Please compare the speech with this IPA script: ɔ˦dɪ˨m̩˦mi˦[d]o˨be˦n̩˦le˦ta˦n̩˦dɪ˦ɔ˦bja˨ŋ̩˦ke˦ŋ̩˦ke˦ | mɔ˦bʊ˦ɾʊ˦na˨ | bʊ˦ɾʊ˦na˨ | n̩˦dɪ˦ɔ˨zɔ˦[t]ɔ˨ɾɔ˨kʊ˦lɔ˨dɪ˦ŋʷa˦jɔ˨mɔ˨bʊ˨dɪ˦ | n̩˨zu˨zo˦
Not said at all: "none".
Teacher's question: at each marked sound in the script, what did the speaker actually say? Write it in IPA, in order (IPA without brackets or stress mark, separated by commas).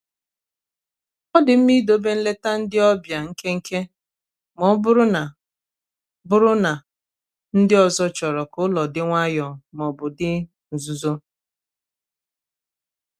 d, t͡ʃ